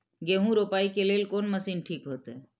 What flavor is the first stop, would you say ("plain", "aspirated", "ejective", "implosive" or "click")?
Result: plain